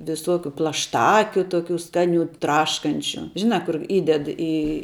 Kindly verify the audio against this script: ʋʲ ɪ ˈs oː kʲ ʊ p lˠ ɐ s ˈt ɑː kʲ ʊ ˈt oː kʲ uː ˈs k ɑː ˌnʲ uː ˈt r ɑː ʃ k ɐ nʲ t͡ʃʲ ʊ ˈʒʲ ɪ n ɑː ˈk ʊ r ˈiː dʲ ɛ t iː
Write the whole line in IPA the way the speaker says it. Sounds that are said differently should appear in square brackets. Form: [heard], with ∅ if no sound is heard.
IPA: ʋʲ ɪ ˈs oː kʲ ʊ p lˠ ɐ [ʃ] ˈt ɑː kʲ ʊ ˈt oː kʲ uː ˈs k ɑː ˌnʲ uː ˈt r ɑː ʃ k ɐ nʲ t͡ʃʲ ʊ ˈʒʲ ɪ n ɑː ˈk ʊ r ˈiː dʲ ɛ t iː